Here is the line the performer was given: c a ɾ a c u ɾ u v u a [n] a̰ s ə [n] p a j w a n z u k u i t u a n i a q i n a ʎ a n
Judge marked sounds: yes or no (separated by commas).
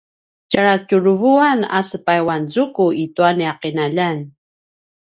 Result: yes, no